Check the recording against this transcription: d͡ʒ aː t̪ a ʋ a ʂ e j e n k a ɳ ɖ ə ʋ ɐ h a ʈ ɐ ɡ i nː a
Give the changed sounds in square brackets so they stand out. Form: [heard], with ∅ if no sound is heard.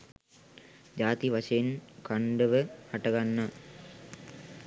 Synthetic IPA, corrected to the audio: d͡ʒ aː t̪ [i] ʋ a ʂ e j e n k a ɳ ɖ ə ʋ [ə] h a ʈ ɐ ɡ [a] nː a